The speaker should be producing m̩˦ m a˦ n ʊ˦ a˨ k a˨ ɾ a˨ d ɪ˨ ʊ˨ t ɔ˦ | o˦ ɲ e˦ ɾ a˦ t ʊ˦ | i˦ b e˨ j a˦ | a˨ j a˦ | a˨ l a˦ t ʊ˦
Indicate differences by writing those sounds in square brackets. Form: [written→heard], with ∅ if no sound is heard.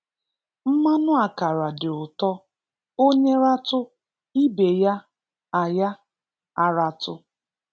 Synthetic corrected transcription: m̩˦ m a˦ n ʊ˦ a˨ k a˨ ɾ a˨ d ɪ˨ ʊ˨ t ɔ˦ | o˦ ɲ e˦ ɾ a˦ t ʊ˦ | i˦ b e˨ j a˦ | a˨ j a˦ | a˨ [l→ɾ] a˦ t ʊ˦